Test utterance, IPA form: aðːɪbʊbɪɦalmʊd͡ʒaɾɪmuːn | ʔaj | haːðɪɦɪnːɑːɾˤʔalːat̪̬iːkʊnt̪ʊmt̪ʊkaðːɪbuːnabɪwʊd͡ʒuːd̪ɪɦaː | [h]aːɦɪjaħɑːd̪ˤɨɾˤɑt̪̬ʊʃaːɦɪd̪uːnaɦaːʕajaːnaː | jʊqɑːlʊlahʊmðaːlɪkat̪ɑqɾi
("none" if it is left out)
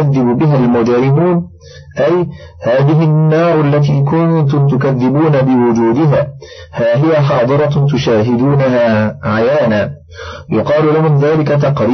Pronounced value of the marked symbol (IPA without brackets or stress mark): h